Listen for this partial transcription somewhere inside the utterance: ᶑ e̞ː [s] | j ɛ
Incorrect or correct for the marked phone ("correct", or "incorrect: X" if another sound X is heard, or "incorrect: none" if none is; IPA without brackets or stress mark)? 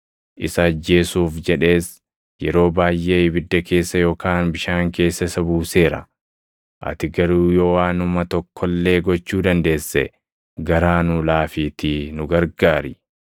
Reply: correct